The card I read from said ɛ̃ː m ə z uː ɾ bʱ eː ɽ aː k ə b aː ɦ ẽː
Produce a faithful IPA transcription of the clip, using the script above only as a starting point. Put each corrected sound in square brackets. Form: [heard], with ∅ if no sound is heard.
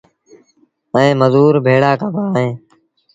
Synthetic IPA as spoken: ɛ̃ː m ə z uː ɾ bʱ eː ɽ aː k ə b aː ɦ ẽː